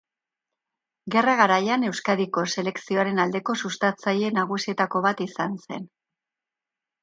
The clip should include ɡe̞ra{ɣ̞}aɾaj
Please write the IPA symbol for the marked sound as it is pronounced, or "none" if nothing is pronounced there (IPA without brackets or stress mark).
ɣ̞